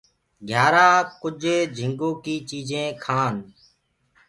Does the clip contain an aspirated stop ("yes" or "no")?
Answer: yes